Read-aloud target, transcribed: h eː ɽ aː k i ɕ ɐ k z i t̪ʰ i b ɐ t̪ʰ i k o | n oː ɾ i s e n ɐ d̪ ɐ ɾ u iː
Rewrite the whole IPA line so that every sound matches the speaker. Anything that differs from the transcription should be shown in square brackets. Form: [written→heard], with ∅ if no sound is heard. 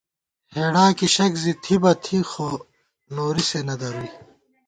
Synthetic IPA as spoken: h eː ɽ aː k i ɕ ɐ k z i t̪ʰ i b ɐ t̪ʰ i [k→x] o | n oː ɾ i s e n ɐ d̪ ɐ ɾ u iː